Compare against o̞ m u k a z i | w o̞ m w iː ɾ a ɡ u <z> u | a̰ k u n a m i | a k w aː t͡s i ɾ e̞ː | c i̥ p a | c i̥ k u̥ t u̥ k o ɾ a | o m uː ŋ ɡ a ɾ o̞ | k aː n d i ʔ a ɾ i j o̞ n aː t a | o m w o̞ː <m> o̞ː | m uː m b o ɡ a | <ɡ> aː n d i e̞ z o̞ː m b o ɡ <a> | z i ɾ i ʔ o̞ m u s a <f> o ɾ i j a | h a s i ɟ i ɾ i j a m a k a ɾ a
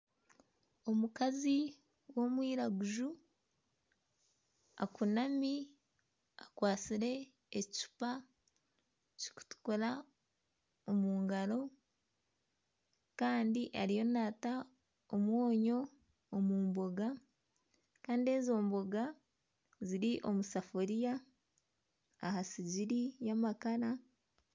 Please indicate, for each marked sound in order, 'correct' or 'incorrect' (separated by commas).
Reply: incorrect, incorrect, incorrect, correct, correct